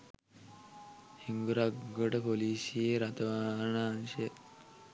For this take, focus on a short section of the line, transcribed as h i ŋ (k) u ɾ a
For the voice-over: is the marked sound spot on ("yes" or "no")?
no